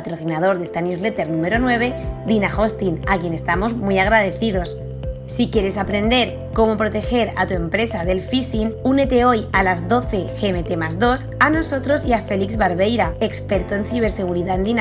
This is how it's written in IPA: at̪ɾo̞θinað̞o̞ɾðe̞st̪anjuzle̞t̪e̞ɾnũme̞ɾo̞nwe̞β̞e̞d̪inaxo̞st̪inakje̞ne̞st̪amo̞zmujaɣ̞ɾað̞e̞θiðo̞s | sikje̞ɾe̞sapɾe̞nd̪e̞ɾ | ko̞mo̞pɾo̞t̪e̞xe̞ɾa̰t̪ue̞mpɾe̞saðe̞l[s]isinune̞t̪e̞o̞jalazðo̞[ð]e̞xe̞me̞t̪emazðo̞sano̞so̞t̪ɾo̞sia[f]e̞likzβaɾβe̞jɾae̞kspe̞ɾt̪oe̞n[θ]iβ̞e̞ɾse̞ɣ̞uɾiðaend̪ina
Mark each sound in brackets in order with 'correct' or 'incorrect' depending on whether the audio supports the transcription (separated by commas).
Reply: incorrect, incorrect, correct, correct